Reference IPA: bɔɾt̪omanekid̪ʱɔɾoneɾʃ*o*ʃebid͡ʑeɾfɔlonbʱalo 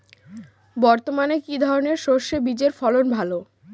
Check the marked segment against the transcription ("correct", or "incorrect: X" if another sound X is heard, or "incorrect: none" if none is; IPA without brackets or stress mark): correct